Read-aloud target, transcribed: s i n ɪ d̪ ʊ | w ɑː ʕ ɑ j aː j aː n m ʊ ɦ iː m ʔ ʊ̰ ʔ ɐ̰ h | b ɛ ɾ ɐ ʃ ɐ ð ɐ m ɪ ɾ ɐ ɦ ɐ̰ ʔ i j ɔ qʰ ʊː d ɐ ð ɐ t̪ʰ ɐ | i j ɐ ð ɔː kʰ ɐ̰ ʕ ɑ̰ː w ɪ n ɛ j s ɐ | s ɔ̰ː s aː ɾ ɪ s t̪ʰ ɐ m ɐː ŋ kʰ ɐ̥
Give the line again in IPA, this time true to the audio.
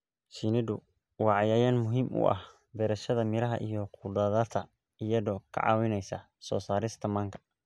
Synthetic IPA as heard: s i n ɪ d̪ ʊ | w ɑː ʕ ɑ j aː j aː n m ʊ ɦ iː m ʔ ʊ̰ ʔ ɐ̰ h | b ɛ ɾ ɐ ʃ ɐ ð ɐ m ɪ ɾ ɐ ɦ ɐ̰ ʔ i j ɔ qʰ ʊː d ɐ ð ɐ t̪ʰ ɐ | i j ɐ ð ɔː kʰ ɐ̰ ʕ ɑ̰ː w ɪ n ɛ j s ɐ | s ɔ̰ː s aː ɾ ɪ s t̪ʰ ɐ m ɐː ŋ kʰ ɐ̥

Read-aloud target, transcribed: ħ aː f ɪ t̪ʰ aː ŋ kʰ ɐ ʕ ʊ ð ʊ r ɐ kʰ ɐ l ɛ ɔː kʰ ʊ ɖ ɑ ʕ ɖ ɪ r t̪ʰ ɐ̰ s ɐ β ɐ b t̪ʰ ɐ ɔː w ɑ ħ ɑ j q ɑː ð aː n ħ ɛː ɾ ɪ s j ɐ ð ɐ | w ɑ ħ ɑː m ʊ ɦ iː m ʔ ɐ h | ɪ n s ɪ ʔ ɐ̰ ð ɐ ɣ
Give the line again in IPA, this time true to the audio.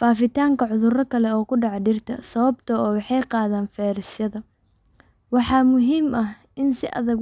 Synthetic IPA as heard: f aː f ɪ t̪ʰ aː ŋ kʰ ɐ ʕ ʊ ð ʊ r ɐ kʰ ɐ l ɛ ɔː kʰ ʊ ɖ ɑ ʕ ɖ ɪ r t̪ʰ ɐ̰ s ɐ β ɐ b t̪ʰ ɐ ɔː w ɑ ħ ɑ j q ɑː ð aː n f ɛː ɾ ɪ s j ɐ ð ɐ | w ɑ ħ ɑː m ʊ ɦ iː m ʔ ɐ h | ɪ n s ɪ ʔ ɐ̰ ð ɐ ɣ

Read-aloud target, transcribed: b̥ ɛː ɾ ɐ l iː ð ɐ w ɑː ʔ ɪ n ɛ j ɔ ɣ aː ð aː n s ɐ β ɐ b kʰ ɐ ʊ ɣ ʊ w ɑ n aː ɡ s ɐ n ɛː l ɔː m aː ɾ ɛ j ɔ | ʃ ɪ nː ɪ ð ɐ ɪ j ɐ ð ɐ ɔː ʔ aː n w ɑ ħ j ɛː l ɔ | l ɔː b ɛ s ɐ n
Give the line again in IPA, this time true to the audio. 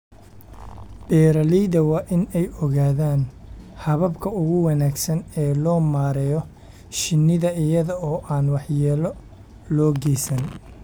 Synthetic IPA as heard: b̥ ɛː ɾ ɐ l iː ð ɐ w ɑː ʔ ɪ n ɛ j ɔ ɣ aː ð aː n h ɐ β ɐ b kʰ ɐ ʊ ɣ ʊ w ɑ n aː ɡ s ɐ n ɛː l ɔː m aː ɾ ɛ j ɔ | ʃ ɪ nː ɪ ð ɐ ɪ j ɐ ð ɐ ɔː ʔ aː n w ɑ ħ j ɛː l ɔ | l ɔː ɡ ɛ s ɐ n

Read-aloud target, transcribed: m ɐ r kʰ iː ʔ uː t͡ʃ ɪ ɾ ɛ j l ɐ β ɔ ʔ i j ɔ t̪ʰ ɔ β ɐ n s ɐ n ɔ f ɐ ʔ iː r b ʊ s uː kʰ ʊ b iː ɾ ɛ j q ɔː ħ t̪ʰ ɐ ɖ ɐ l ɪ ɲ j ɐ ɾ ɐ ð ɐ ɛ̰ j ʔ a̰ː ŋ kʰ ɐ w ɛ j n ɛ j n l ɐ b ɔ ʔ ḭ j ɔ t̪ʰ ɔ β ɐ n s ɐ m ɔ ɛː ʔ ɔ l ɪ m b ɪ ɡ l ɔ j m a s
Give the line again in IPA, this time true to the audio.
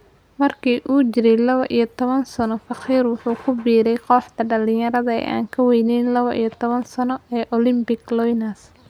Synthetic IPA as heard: m ɐ r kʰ iː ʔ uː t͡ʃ ɪ ɾ ɛ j l ɐ β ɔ ʔ i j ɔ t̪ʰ ɔ β ɐ n s ɐ n ɔ f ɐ q iː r w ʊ ħ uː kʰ ʊ b iː ɾ ɛ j q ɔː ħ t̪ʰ ɐ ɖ ɐ l ɪ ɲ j ɐ ɾ ɐ ð ɐ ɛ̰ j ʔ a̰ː ŋ kʰ ɐ w ɛ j n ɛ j n l ɐ β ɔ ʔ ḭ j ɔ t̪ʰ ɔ β ɐ n s ɐ n ɔ ɛː ʔ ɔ l ɪ m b ɪ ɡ l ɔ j n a s

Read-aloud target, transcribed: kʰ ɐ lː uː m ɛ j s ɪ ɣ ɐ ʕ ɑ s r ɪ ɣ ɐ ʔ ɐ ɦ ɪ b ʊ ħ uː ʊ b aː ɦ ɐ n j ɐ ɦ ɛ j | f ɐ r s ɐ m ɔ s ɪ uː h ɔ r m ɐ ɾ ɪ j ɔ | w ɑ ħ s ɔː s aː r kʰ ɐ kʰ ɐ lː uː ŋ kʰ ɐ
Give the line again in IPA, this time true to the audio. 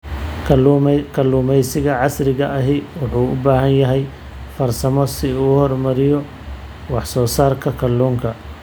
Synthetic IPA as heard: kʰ ɐ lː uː m ɛ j s ɪ ɣ ɐ ʕ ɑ s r ɪ ɣ ɐ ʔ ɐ ɦ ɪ w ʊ ħ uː ʊ b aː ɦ ɐ n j ɐ ɦ ɛ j | f ɐ r s ɐ m ɔ s ɪ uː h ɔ r m ɐ ɾ ɪ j ɔ | w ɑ ħ s ɔː s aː r kʰ ɐ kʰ ɐ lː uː ŋ kʰ ɐ

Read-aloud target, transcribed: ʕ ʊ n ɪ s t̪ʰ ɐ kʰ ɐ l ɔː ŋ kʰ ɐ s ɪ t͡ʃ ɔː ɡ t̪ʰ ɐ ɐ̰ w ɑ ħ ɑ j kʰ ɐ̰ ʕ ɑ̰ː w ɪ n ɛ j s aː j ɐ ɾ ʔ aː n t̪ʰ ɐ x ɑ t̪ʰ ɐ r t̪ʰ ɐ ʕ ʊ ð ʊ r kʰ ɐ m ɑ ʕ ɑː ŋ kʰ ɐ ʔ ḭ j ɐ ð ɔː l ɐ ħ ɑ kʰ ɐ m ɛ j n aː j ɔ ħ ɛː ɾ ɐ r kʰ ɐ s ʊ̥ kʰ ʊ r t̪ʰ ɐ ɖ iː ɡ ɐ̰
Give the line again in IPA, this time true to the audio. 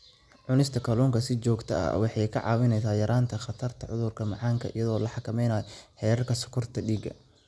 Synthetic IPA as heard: ʕ ʊ n ɪ s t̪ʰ ɐ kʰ ɐ l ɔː ŋ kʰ ɐ s ɪ t͡ʃ ɔː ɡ t̪ʰ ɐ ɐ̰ w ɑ ħ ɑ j kʰ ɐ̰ ʕ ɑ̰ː w ɪ n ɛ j s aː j ɐ ɾ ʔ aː n t̪ʰ ɐ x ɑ t̪ʰ ɐ r t̪ʰ ɐ ʕ ʊ ð ʊ r kʰ ɐ m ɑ ʕ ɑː ŋ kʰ ɐ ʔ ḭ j ɐ ð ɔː l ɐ ħ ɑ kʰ ɐ m ɛ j n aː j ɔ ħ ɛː ɾ ɐ r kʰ ɐ s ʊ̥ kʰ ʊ r t̪ʰ ɐ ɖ iː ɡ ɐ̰

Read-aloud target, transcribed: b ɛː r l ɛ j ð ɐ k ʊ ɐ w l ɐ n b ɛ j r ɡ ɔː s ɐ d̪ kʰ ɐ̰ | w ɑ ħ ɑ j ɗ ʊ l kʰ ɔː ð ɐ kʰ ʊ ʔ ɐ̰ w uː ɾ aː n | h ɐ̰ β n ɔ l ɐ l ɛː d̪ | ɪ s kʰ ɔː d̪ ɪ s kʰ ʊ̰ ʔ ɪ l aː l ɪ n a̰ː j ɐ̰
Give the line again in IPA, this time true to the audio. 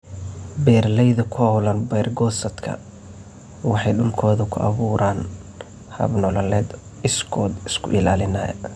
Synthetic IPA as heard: b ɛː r l ɛ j ð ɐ kʰ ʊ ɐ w l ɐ n b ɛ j r ɡ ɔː s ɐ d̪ kʰ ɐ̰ | w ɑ ħ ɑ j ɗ ʊ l kʰ ɔː ð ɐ kʰ ʊ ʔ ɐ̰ β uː ɾ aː n | h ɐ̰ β n ɔ l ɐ l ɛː d̪ | ɪ s kʰ ɔː d̪ ɪ s kʰ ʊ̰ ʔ ɪ l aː l ɪ n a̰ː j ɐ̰

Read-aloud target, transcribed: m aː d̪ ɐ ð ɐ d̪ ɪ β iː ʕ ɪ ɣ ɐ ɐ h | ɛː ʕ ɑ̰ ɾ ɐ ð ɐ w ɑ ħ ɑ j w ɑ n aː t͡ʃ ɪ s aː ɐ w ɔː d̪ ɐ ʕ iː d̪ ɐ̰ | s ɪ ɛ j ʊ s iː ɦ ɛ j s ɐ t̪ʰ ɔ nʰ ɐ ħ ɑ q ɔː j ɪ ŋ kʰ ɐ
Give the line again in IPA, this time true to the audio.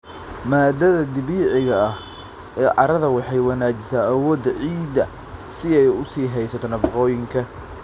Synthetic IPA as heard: m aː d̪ ɐ ð ɐ d̪ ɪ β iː ʕ ɪ ɣ ɐ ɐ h | ɛː ʕ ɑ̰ ɾ ɐ ð ɐ w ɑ ħ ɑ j w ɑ n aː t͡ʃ ɪ s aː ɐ w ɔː d̪ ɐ ʕ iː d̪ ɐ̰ | s ɪ ɛ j ʊ s iː ɦ ɛ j s ɐ t̪ʰ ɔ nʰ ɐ f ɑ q ɔː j ɪ ŋ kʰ ɐ

